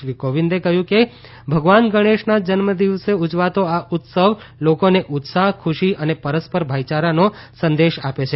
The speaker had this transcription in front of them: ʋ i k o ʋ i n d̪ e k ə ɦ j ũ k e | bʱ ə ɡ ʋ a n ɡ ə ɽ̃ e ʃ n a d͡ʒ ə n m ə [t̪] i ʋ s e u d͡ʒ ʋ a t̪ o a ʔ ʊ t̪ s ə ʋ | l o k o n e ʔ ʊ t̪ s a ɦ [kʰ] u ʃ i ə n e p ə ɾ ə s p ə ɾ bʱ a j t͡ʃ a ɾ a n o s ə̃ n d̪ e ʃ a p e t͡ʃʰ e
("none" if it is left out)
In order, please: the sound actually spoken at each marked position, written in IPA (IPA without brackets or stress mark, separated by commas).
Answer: d̪, kʰ